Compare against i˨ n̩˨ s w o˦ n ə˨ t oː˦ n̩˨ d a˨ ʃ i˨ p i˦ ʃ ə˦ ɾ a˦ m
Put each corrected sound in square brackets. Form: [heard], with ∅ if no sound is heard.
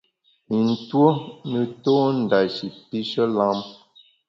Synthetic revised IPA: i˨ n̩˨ [t] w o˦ n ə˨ t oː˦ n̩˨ d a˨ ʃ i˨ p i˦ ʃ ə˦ [l] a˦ m